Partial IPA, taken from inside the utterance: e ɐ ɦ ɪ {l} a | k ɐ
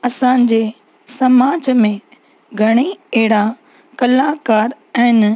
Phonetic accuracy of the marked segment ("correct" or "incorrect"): incorrect